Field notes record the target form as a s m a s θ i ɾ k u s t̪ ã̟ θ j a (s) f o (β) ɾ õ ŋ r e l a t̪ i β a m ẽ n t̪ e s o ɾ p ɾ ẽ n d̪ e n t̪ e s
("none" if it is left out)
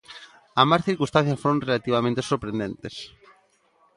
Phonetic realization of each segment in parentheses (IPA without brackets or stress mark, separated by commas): s, none